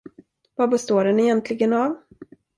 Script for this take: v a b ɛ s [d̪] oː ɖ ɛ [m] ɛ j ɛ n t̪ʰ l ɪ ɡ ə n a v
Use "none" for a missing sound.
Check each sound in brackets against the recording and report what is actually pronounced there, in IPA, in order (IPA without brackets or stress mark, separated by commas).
t̪, n